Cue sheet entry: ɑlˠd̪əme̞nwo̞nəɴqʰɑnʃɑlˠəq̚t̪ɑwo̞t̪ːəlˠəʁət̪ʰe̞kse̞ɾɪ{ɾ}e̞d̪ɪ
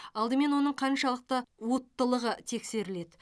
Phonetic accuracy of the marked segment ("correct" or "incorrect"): incorrect